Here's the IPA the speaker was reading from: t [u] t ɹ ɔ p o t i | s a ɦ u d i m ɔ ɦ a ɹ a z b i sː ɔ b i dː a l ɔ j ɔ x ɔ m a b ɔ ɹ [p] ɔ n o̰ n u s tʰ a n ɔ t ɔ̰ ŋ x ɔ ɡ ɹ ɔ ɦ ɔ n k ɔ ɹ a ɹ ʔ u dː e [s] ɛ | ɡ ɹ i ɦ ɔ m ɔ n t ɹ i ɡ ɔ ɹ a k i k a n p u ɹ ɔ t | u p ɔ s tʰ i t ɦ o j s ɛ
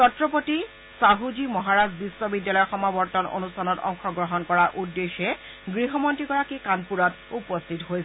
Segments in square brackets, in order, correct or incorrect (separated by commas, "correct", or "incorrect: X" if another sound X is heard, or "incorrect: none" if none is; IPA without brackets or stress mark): incorrect: ɔ, incorrect: t, incorrect: x